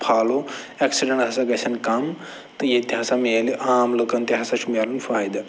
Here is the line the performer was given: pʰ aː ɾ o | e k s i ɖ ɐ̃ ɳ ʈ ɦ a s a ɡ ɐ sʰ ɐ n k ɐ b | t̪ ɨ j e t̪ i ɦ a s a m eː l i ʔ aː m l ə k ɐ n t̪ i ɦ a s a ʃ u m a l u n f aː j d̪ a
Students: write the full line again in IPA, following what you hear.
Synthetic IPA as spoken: pʰ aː l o | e k s i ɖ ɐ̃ ɳ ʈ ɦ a s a ɡ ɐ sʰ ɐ n k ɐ m | t̪ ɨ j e t̪ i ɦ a s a m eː l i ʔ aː m l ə k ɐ n t̪ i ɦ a s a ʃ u m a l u n f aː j d̪ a